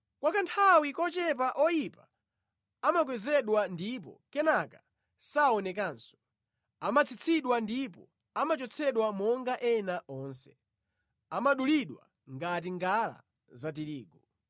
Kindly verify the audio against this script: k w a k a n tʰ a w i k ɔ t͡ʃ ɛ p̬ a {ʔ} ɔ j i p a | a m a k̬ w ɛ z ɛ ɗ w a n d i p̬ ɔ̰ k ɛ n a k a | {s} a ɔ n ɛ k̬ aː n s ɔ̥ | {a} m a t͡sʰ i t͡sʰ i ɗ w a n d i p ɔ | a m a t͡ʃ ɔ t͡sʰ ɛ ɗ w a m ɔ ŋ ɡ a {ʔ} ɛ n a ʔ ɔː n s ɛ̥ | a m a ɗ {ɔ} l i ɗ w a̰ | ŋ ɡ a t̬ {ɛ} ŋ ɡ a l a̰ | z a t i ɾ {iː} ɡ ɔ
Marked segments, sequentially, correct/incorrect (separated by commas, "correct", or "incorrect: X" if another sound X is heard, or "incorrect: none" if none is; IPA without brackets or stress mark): correct, correct, correct, correct, incorrect: u, incorrect: i, correct